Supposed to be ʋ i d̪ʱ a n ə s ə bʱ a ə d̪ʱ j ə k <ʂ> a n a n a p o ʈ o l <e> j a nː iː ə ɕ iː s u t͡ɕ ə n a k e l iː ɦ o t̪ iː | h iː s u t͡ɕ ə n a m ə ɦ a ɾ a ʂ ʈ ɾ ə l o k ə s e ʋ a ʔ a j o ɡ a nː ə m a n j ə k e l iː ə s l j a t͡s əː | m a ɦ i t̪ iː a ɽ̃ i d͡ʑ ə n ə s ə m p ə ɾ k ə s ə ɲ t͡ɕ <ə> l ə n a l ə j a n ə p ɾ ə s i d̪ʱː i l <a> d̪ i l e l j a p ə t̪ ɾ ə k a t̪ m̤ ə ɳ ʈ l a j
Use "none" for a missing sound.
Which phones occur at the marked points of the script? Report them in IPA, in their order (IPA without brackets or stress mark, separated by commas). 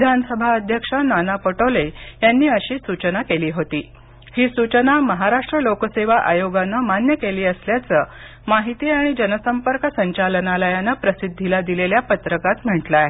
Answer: ʂ, e, a, a